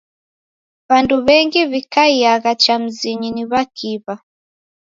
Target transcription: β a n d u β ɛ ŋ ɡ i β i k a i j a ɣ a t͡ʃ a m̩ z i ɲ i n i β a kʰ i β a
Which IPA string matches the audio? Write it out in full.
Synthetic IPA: β a n d u β ɛ ŋ ɡ i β i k a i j a ɣ a t͡ʃ a m̩ z i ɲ i n i β a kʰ i β a